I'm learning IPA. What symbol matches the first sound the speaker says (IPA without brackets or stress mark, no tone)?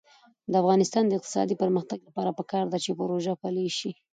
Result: d̪